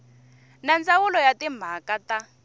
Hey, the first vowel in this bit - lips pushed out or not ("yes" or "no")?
no